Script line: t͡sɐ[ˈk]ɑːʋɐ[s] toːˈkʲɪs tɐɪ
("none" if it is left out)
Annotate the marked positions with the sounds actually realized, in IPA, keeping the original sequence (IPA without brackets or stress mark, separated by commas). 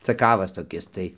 k, s